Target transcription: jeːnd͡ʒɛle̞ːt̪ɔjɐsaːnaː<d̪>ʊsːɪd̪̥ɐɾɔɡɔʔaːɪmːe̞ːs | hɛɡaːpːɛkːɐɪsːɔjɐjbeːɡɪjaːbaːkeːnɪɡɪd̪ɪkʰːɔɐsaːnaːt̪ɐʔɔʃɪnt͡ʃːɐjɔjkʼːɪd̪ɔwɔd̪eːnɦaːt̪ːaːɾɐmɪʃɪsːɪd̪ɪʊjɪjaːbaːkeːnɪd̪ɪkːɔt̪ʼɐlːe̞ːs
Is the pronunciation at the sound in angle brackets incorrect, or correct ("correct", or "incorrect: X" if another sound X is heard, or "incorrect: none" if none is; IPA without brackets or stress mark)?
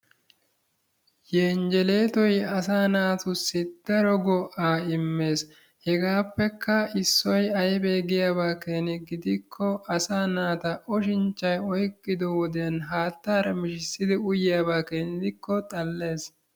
incorrect: t̪